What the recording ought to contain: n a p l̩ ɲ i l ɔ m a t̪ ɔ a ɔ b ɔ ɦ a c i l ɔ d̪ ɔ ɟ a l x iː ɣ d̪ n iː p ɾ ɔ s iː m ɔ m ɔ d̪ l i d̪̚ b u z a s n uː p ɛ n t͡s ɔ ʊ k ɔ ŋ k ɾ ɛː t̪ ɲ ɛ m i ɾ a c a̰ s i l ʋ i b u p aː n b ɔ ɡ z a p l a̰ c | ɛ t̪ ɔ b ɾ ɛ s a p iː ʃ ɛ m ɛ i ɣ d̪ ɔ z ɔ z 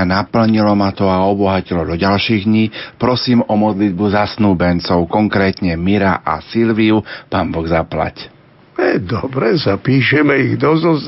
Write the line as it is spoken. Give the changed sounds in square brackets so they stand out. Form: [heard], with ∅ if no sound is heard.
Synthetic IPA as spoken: n a p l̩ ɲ i l ɔ m a t̪ ɔ a ɔ b ɔ ɦ a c i l ɔ d̪ ɔ ɟ a l [ʃ] iː ɣ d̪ [ɲ] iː p ɾ ɔ s iː m ɔ m ɔ d̪ l i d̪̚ b u z a s n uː [b] ɛ n t͡s ɔ ʊ k ɔ ŋ k ɾ ɛː t̪ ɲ ɛ m i ɾ a [ʔ] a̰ s i l ʋ i [∅] u p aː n b ɔ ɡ z a p l a̰ c | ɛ [d̪] ɔ b ɾ ɛ s a p iː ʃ ɛ m ɛ i ɣ d̪ ɔ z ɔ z